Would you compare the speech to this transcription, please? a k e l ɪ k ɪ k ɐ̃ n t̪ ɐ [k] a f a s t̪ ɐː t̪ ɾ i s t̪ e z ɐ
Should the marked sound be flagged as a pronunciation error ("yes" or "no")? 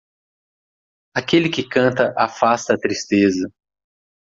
yes